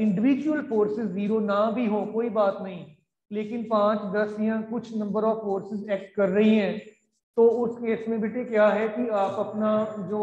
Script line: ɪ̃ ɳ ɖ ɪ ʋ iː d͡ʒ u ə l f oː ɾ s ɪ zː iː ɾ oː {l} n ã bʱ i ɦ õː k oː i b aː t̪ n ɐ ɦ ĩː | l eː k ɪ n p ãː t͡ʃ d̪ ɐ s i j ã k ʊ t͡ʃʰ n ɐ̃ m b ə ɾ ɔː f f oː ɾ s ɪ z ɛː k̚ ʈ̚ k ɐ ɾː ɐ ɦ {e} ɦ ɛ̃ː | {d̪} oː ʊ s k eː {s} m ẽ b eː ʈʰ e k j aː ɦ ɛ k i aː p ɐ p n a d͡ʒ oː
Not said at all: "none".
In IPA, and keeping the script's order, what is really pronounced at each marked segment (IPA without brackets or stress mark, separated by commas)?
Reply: none, i, t̪, s